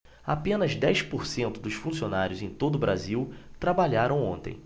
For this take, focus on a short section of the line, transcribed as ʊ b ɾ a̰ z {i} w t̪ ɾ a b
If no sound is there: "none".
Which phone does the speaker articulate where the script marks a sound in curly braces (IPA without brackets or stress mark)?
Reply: i